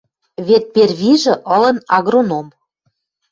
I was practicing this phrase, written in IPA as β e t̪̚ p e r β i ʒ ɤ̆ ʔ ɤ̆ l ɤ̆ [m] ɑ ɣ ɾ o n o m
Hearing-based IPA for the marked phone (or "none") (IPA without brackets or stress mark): n